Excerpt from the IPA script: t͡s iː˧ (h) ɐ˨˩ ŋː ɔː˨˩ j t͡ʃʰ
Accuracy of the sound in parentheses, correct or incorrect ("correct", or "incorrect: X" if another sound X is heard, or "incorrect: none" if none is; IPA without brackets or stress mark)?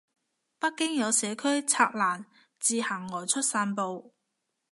correct